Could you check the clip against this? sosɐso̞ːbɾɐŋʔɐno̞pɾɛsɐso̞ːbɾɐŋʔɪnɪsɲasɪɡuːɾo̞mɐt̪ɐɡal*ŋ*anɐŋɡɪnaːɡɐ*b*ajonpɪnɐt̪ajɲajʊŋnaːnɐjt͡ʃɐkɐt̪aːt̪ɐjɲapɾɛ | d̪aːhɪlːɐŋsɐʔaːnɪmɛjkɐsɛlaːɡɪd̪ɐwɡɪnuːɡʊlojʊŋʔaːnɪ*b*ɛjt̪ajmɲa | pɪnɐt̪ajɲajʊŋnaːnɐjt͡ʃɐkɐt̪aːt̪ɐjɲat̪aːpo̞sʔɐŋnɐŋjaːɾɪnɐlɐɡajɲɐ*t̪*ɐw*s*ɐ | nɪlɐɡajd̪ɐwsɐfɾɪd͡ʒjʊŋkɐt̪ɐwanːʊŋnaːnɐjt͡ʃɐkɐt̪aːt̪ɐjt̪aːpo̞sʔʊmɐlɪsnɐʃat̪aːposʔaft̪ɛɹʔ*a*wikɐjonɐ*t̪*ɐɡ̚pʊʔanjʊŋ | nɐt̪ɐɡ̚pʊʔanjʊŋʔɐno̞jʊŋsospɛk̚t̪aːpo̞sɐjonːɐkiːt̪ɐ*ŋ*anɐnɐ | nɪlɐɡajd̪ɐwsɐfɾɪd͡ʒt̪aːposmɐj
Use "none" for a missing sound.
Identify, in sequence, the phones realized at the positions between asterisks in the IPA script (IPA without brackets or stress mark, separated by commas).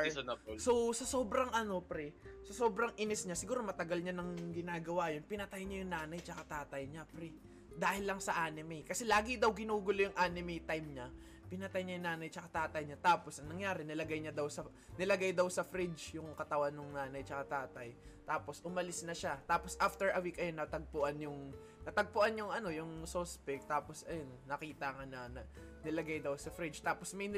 ɲ, w, m, d̪, s, ɐ, t̪, ŋ